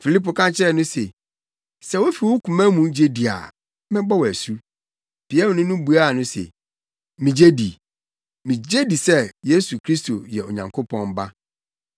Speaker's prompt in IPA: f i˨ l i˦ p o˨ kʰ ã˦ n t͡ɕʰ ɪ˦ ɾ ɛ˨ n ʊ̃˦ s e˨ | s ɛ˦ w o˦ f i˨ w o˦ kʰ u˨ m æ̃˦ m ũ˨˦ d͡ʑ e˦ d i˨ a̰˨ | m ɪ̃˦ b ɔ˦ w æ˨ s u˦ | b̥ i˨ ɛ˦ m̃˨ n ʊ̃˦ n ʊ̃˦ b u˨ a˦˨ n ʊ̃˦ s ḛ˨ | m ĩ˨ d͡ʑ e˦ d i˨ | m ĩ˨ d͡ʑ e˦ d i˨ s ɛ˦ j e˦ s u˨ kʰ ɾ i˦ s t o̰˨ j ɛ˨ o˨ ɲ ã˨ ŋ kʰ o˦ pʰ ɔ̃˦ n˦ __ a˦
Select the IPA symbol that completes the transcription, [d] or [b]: b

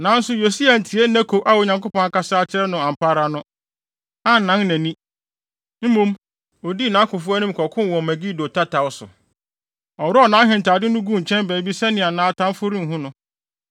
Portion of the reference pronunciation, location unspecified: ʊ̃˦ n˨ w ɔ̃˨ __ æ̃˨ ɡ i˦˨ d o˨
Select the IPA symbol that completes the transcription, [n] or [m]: m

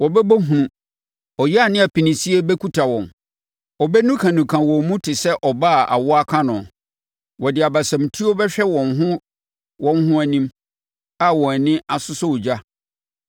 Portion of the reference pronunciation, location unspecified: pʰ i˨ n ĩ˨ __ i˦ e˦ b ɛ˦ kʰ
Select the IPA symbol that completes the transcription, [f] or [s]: s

